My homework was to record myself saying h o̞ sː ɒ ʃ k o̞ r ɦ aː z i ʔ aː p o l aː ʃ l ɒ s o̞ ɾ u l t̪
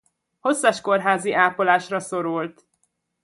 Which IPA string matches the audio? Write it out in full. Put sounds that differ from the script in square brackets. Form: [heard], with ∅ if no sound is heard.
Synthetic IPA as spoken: h o̞ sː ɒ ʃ k o̞ r ɦ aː z i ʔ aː p o l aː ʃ [r] ɒ s o̞ ɾ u l t̪